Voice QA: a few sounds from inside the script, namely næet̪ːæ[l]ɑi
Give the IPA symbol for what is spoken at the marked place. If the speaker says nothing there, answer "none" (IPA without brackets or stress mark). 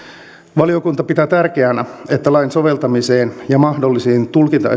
l